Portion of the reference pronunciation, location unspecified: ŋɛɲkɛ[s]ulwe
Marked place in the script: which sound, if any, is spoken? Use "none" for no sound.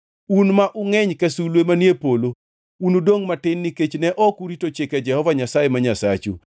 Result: s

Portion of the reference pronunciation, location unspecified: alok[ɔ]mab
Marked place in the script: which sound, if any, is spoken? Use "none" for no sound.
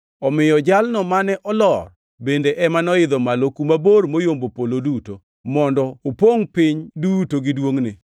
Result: u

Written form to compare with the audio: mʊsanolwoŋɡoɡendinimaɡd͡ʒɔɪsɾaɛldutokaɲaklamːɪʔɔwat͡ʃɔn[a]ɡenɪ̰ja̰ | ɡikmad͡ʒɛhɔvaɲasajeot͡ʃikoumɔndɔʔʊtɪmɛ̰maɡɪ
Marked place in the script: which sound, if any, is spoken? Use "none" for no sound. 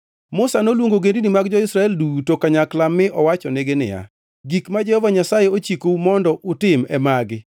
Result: e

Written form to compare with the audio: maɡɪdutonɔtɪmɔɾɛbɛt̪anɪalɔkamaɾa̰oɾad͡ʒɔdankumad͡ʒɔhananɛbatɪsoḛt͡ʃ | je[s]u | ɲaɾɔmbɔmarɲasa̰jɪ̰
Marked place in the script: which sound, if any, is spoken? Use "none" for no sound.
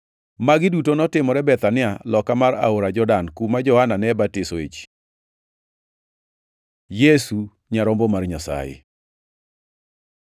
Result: s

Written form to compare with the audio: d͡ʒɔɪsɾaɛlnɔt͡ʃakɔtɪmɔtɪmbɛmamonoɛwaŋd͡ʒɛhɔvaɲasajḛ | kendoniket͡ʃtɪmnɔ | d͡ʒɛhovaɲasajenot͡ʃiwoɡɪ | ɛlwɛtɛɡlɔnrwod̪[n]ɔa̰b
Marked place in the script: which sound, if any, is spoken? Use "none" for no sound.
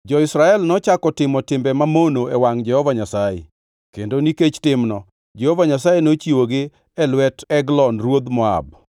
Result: m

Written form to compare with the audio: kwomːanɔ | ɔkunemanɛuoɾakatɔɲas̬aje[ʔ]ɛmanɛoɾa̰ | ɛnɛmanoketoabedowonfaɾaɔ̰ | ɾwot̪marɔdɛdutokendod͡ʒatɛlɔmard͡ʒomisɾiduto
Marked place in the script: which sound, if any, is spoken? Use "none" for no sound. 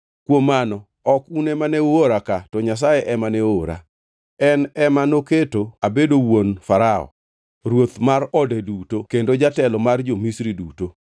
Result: ʔ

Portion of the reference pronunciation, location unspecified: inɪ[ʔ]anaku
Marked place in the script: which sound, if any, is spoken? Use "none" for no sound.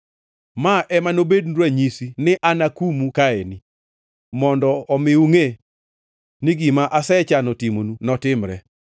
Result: ʔ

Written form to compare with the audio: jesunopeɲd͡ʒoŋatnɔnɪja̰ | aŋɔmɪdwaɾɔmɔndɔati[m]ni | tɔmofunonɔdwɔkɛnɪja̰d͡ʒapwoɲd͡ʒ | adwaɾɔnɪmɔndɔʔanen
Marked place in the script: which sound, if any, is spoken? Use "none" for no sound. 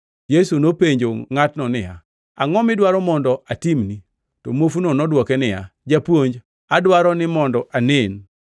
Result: m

